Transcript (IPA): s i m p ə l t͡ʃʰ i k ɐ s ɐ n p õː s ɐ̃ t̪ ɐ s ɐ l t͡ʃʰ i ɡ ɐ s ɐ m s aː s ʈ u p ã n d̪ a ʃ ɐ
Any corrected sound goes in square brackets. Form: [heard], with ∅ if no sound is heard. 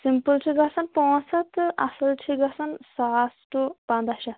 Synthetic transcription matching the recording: s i m p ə l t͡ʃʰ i [ɡ] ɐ s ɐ n p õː s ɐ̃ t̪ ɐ s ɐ l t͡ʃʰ i ɡ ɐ s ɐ [n] s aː s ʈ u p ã n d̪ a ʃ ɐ